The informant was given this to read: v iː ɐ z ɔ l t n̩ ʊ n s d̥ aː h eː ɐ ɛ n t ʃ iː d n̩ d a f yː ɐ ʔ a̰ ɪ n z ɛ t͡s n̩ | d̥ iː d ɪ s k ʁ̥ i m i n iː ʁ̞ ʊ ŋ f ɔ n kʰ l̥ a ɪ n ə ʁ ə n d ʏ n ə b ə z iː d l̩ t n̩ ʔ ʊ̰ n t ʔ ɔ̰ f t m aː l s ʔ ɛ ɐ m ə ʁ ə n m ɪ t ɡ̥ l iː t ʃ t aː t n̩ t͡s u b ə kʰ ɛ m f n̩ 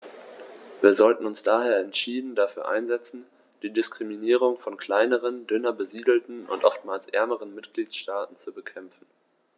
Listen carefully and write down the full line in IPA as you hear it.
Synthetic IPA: v iː ɐ z ɔ l t n̩ ʊ n s d̥ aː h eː ɐ ɛ n t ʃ iː d n̩ d a f yː ɐ ʔ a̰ ɪ n z ɛ t͡s n̩ | d̥ iː d ɪ s k ʁ̥ i m i n iː ʁ̞ ʊ ŋ f ɔ n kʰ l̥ a ɪ n ə ʁ ə n d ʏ n ɐ b ə z iː d l̩ t n̩ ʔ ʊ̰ n t ʔ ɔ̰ f t m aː l s ʔ ɛ ɐ m ə ʁ ə n m ɪ t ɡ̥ l iː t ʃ t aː t n̩ t͡s u b ə kʰ ɛ m f n̩

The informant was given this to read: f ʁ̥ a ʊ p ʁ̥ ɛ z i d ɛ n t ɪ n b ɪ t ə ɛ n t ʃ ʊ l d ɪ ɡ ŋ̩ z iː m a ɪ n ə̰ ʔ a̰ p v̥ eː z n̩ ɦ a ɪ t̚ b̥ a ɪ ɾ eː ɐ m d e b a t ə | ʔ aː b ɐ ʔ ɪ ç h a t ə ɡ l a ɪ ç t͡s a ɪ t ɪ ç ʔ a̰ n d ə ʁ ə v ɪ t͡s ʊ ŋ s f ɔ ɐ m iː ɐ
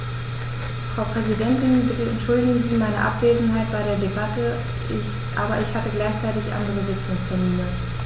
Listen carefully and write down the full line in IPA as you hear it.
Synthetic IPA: f ʁ̥ a ʊ p ʁ̥ ɛ z i d ɛ n t ɪ n b ɪ t ə ɛ n t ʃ ʊ l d ɪ ɡ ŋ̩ z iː m a ɪ n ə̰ ʔ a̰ p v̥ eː z n̩ ɦ a ɪ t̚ b̥ a ɪ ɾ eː ɐ d e b a t ə | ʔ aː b ɐ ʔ ɪ ç h a t ə ɡ l a ɪ ç t͡s a ɪ t ɪ ç ʔ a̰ n d ə ʁ ə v ɪ t͡s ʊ ŋ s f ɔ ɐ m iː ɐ

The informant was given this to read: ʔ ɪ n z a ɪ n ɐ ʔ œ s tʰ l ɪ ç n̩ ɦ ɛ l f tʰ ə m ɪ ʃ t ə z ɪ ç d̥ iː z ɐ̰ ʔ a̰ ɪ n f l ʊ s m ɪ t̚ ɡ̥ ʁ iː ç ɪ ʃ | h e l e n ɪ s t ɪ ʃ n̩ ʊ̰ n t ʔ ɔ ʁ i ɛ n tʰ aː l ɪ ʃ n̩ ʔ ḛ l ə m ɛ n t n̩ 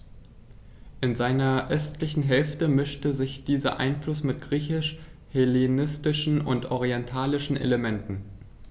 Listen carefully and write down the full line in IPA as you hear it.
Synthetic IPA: ʔ ɪ n z a ɪ n ɐ ʔ œ s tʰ l ɪ ç n̩ ɦ ɛ l f t ə m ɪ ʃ t ə z ɪ ç d̥ iː z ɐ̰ ʔ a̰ ɪ n f l ʊ s m ɪ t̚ ɡ̥ ʁ iː ç ɪ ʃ | h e l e n ɪ s t ɪ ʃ n̩ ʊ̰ n t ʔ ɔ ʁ i ɛ n tʰ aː l ɪ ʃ n̩ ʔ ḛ l ə m ɛ n t n̩

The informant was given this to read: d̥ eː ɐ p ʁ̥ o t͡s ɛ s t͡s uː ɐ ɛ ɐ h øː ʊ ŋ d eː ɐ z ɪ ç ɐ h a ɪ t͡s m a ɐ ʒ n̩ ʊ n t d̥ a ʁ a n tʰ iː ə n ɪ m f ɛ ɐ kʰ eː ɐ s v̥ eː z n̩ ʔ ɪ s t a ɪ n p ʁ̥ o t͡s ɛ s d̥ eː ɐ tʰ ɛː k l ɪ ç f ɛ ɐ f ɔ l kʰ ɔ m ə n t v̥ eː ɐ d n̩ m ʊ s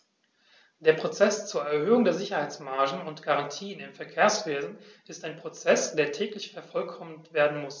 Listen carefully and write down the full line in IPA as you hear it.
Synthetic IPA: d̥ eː ɐ p ʁ̥ o t͡s ɛ s t͡s uː ɐ ɛ ɐ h øː ʊ ŋ d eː ɐ z ɪ ç ɐ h a ɪ t͡s m a ɐ ʒ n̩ ʊ n t ɡ̥ a ʁ a n tʰ iː ə n ɪ m f ɛ ɐ kʰ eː ɐ s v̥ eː z n̩ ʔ ɪ s t a ɪ n p ʁ̥ o t͡s ɛ s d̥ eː ɐ tʰ ɛː k l ɪ ç f ɛ ɐ f ɔ l kʰ ɔ m ə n t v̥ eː ɐ d n̩ m ʊ s

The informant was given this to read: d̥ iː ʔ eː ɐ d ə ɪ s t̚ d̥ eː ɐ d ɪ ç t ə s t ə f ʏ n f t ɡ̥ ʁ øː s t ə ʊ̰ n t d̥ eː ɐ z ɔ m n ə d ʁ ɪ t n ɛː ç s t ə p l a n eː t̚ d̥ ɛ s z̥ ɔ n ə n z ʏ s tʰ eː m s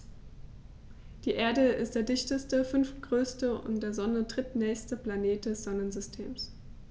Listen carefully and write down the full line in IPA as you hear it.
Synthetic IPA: d̥ iː ʔ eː ɐ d ə ɪ s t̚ d̥ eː ɐ d ɪ ç t ə s t ə f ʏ n f t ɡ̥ ʁ øː s t ə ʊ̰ n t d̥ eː ɐ z ɔ n ə d ʁ ɪ t n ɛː ç s t ə p l a n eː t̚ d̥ ɛ s z̥ ɔ n ə n z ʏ s tʰ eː m s

